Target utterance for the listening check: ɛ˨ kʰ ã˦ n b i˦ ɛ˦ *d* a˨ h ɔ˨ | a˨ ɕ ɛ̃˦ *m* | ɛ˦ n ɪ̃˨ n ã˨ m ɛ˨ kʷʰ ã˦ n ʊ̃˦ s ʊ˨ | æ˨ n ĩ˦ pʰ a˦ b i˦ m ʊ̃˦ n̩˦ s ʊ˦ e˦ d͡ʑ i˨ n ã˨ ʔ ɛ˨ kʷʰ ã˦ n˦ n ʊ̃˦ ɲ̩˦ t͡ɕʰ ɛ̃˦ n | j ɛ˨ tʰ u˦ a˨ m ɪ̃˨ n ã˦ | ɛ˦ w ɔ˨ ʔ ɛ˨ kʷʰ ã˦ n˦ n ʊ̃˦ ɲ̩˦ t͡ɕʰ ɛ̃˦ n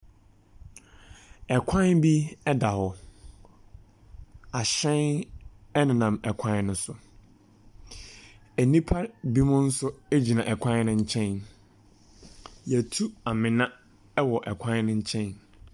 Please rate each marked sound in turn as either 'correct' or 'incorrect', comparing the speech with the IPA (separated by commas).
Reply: correct, incorrect